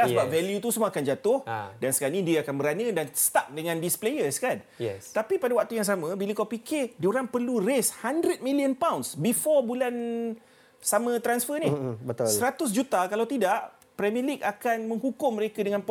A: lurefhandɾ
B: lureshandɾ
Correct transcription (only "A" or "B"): B